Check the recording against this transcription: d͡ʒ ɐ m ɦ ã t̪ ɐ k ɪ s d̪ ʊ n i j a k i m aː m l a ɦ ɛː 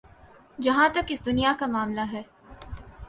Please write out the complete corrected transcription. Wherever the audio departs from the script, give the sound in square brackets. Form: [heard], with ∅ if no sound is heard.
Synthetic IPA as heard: d͡ʒ ɐ [∅] ɦ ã t̪ ɐ k ɪ s d̪ ʊ n i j a k [a] m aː m l a ɦ ɛː

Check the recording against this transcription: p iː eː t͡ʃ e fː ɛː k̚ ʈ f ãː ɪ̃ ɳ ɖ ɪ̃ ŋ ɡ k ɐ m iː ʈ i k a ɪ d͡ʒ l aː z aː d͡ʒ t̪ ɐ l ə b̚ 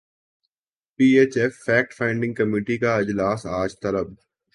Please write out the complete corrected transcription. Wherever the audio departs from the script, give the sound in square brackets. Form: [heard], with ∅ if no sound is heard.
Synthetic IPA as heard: p iː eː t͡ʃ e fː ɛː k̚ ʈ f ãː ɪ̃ ɳ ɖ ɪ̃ ŋ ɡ k ɐ m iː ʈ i k a ɪ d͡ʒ l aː [s] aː d͡ʒ t̪ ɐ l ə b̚

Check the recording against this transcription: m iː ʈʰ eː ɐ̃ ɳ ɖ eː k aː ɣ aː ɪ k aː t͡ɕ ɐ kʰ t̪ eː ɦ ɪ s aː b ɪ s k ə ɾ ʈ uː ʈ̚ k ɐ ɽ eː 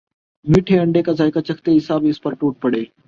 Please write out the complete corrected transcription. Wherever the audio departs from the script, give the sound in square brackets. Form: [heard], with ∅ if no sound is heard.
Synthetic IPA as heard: m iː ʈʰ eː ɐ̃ ɳ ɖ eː k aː [z] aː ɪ k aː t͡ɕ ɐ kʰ t̪ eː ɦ ɪ s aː b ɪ s [p] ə ɾ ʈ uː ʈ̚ [p] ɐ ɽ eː

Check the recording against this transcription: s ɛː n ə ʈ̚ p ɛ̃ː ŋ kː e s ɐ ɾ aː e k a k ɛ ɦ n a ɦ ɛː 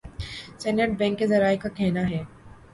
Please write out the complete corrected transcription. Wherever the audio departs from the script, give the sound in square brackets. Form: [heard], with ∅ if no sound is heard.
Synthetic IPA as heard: s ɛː n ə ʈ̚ [b] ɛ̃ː ŋ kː e [z] ɐ ɾ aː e k a k ɛ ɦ n a ɦ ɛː

